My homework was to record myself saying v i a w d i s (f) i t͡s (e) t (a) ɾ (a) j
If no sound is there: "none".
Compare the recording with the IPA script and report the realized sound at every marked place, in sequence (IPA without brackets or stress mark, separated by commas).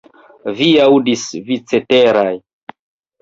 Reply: v, e, e, a